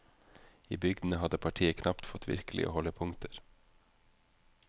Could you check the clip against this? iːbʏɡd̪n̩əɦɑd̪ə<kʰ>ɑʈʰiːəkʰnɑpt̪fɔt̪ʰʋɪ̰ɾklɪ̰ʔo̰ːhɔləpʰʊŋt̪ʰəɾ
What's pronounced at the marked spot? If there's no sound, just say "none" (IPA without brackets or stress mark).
pʰ